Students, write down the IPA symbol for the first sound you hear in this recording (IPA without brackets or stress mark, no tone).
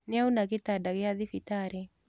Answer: n